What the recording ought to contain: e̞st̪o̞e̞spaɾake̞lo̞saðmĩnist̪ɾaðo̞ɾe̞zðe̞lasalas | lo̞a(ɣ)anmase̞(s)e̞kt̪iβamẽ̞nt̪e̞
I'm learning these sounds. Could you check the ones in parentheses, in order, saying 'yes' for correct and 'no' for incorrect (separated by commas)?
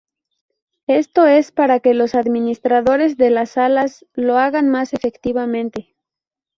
yes, no